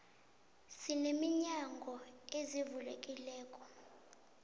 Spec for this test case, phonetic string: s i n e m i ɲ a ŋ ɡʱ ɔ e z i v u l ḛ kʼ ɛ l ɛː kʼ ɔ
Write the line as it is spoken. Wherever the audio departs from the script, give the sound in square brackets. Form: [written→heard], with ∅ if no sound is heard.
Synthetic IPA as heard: s i n e m i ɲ a ŋ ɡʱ ɔ e z i v u l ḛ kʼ [ɛ→i] l ɛː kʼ ɔ